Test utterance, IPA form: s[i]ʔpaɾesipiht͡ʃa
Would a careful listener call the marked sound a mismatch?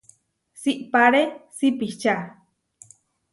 no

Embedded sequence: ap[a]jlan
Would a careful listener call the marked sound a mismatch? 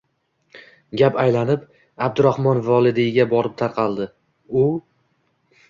no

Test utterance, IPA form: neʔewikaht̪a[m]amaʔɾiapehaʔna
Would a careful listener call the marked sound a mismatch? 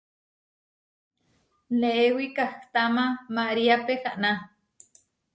no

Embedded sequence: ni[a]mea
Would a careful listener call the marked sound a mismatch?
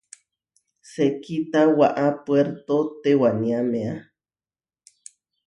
no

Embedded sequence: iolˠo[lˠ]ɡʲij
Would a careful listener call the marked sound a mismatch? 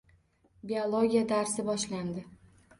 yes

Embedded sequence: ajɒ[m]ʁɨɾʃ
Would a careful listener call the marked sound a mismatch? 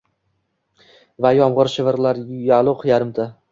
no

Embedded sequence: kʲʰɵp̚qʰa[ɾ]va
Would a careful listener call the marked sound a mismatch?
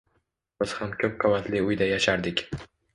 yes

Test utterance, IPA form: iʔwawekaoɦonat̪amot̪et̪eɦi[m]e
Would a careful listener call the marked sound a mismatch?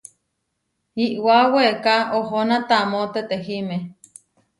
no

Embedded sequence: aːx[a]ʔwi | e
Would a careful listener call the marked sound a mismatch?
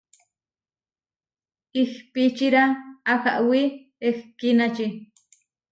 no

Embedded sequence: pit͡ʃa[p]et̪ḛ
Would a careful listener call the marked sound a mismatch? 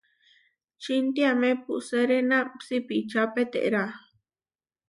no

